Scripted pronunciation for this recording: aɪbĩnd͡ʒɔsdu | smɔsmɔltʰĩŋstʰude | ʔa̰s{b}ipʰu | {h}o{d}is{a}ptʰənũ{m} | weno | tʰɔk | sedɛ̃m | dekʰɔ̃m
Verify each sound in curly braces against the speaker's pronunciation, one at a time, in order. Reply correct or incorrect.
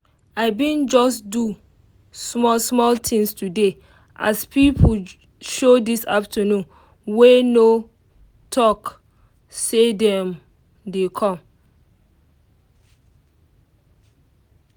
incorrect, incorrect, correct, correct, incorrect

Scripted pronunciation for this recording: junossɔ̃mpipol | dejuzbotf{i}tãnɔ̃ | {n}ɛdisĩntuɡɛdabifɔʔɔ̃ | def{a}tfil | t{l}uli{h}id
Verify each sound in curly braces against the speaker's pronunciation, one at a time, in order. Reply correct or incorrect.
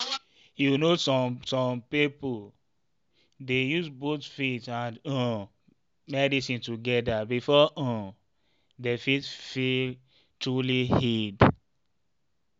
correct, incorrect, incorrect, incorrect, correct

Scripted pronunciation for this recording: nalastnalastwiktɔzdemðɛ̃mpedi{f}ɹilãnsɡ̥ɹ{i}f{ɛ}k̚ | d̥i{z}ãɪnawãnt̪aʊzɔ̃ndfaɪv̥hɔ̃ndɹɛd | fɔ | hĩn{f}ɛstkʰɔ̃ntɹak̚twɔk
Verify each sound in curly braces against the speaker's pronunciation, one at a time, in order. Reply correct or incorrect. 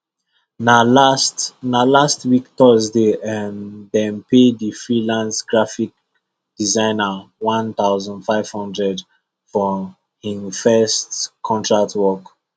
correct, incorrect, incorrect, correct, correct

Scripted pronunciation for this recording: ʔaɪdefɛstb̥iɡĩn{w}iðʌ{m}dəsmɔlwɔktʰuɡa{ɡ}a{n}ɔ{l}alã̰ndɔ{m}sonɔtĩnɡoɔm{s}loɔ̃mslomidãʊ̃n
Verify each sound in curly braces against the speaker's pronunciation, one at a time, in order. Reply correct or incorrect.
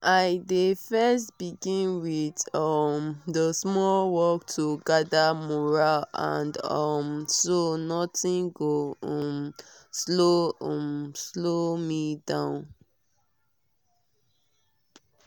correct, correct, incorrect, incorrect, incorrect, correct, correct

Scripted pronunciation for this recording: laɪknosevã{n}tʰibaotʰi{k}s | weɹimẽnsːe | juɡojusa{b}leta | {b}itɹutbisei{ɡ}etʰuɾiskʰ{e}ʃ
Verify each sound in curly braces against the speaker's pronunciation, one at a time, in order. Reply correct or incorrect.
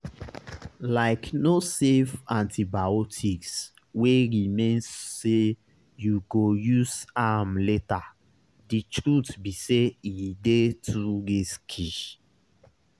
correct, correct, incorrect, incorrect, incorrect, incorrect

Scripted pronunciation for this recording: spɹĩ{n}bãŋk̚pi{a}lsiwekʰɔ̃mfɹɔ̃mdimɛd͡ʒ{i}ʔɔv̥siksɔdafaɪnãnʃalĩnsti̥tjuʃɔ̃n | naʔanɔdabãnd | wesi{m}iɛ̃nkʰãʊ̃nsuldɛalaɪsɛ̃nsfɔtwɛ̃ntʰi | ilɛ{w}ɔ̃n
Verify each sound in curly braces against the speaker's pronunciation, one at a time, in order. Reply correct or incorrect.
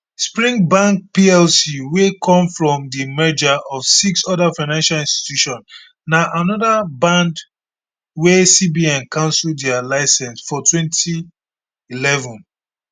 incorrect, incorrect, incorrect, incorrect, incorrect

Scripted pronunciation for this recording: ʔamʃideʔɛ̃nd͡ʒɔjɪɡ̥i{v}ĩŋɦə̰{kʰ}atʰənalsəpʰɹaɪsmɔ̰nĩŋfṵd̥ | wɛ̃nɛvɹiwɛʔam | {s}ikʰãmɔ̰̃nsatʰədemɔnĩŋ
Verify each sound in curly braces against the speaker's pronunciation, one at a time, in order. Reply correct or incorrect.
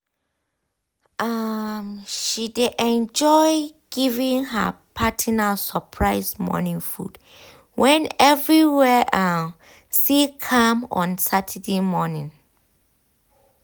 correct, incorrect, correct

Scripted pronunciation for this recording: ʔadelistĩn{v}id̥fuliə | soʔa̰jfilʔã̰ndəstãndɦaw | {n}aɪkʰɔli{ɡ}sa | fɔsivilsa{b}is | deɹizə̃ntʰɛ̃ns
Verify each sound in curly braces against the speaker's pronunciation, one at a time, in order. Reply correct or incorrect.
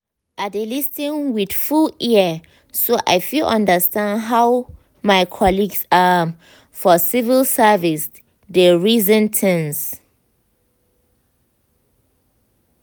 incorrect, incorrect, correct, incorrect

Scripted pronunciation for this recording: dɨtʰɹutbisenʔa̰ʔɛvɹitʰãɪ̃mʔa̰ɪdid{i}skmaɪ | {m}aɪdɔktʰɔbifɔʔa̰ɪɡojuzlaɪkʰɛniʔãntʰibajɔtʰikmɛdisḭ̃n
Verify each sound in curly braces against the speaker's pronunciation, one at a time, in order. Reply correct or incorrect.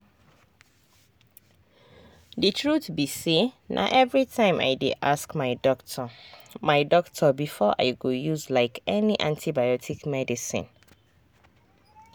incorrect, correct

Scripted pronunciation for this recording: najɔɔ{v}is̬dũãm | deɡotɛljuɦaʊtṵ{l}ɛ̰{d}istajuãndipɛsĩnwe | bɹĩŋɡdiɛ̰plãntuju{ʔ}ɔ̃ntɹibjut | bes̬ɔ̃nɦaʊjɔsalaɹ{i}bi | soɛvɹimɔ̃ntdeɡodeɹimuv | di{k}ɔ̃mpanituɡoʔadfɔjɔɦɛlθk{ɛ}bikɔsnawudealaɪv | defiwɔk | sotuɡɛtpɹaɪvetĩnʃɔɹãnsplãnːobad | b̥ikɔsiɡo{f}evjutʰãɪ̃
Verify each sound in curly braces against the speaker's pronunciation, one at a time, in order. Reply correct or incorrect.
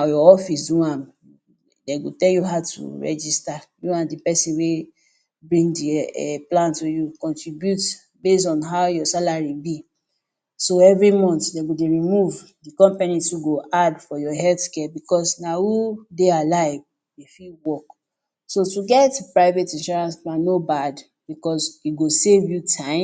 incorrect, incorrect, incorrect, incorrect, correct, correct, correct, incorrect

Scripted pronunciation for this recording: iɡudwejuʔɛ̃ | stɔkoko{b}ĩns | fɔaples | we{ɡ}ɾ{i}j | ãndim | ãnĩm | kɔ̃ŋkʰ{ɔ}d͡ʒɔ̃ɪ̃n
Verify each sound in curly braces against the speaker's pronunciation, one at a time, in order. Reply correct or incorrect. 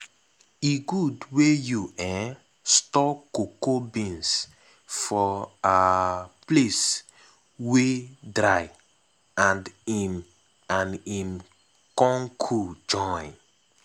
correct, incorrect, incorrect, incorrect

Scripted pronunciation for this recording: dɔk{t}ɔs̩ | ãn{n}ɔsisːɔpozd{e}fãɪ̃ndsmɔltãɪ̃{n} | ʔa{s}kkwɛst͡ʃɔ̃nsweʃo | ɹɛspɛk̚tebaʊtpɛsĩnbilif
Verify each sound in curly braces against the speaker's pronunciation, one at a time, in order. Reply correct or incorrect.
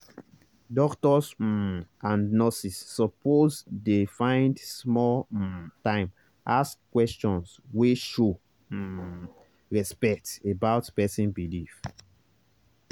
correct, correct, correct, incorrect, correct

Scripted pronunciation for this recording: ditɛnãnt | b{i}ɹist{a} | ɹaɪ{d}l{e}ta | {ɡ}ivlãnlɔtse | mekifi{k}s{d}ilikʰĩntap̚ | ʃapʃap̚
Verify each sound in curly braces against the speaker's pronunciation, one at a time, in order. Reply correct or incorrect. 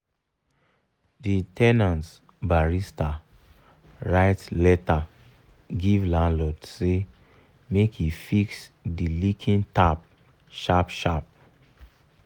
incorrect, correct, incorrect, incorrect, correct, correct, correct

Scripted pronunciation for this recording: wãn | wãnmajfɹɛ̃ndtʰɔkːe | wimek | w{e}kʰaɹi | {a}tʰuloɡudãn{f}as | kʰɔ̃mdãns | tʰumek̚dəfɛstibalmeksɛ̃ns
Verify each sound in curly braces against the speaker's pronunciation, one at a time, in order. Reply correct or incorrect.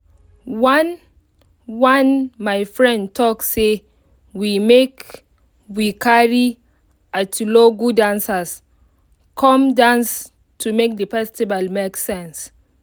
incorrect, correct, incorrect

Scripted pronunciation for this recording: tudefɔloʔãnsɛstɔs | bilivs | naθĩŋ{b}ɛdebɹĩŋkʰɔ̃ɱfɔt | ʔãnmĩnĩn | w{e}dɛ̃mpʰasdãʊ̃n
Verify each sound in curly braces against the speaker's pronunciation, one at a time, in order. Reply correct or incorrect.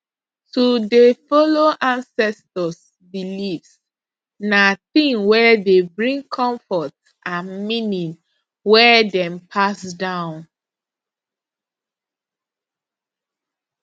incorrect, incorrect

